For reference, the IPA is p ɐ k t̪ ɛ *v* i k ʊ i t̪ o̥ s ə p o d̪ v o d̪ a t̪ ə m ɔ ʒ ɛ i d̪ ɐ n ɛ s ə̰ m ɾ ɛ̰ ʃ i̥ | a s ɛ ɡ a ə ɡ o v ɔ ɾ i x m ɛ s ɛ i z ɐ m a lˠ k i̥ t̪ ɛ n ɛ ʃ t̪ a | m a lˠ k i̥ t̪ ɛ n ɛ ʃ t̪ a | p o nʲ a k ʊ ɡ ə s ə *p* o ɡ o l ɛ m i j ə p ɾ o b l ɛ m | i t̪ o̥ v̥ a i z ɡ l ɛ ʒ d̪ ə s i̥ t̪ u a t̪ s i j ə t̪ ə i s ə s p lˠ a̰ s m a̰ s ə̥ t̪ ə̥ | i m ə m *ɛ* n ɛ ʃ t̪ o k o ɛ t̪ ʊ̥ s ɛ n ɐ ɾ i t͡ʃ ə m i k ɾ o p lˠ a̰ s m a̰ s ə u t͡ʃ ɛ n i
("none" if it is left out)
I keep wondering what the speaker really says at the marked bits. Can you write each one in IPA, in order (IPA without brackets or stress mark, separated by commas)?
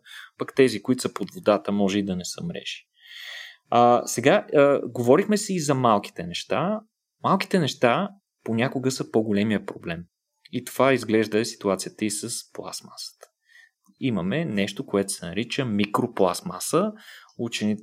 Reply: z, p, ɛ